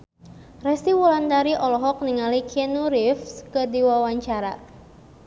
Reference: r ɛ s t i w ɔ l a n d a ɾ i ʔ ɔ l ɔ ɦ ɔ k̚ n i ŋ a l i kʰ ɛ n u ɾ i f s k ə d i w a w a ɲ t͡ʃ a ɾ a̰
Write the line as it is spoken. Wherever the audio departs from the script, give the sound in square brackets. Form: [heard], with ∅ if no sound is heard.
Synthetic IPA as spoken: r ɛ s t i w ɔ l a n d a ɾ i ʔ ɔ l ɔ ɦ ɔ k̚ n i ŋ a l i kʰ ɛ n u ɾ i f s k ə d i w a w a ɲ t͡ʃ a ɾ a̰